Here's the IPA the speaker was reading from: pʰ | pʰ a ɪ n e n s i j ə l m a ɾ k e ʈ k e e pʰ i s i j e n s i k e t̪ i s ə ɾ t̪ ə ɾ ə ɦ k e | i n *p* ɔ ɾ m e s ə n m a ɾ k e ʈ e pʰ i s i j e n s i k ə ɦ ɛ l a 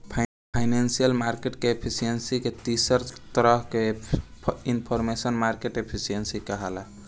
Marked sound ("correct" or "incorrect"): incorrect